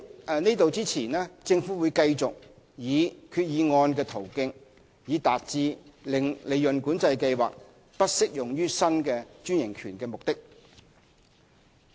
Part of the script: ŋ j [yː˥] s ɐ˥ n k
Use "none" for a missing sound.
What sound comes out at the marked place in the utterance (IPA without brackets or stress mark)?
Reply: yː˥